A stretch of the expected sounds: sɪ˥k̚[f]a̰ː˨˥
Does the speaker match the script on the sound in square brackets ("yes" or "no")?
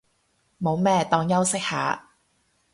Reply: no